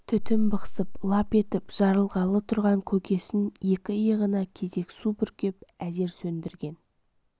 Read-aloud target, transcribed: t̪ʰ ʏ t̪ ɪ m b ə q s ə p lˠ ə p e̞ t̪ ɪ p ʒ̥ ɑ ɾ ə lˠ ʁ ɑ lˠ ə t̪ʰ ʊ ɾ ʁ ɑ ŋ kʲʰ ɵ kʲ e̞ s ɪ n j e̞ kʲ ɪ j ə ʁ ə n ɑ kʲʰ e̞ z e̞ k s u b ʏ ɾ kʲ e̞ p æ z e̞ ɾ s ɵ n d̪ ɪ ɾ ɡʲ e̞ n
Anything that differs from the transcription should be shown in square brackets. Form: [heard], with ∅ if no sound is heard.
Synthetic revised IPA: t̪ʰ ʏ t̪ ɪ m b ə q s ə p lˠ [ɑ] p e̞ t̪ ɪ p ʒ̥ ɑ ɾ ə lˠ ʁ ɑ lˠ ə t̪ʰ ʊ ɾ ʁ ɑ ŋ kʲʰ ɵ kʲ e̞ s ɪ n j e̞ kʲ ɪ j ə ʁ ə n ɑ kʲʰ e̞ z e̞ k s u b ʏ ɾ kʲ e̞ p æ z e̞ ɾ s ɵ n d̪ ɪ ɾ ɡʲ e̞ n